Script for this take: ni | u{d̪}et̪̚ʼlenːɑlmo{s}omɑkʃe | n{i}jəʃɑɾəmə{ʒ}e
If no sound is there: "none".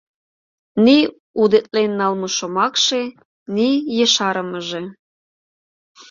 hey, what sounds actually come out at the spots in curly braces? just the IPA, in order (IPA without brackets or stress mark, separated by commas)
d̪, ʃ, i, ʒ